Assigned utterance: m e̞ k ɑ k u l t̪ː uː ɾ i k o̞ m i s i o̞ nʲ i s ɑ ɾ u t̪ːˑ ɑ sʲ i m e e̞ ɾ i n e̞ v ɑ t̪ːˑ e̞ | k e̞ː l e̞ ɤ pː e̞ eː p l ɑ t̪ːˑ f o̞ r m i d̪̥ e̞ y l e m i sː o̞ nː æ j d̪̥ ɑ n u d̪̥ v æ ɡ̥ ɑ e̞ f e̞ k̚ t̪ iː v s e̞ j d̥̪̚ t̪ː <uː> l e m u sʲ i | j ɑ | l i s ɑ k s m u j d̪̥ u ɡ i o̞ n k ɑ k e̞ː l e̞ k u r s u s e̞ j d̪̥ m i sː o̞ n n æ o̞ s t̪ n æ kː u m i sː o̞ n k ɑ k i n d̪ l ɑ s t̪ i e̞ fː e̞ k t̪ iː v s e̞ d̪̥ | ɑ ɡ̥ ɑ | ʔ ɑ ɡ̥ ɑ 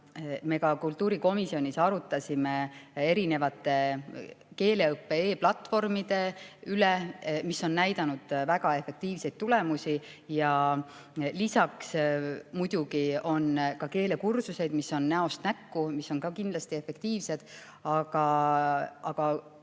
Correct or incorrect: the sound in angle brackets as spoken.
incorrect: u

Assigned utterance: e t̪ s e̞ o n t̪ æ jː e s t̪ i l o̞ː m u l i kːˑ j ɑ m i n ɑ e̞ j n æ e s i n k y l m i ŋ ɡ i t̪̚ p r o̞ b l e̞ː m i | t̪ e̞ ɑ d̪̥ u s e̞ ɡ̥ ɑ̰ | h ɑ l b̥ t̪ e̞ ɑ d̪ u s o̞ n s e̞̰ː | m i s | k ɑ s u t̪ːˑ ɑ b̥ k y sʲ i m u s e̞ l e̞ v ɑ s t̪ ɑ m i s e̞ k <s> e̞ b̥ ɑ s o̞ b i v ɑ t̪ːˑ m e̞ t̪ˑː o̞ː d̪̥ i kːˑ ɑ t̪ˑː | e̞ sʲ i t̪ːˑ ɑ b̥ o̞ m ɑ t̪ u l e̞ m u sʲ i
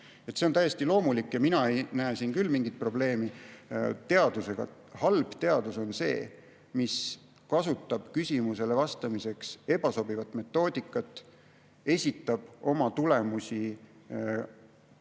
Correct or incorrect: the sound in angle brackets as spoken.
correct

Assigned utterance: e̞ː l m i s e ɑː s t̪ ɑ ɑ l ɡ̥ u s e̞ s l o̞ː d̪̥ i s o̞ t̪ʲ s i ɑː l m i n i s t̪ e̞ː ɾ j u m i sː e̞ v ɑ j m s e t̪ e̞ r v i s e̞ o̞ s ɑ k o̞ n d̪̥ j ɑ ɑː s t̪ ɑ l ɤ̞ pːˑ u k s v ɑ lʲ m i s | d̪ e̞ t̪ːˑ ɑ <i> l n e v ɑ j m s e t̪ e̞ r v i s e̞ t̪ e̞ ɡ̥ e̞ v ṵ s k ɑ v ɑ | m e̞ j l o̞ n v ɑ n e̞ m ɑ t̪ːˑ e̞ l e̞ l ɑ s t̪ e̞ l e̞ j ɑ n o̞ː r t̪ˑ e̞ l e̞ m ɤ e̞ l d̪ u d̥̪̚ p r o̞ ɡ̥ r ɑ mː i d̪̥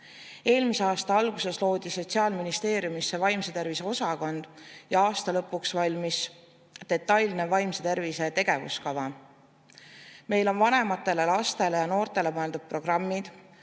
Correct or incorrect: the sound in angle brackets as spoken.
incorrect: j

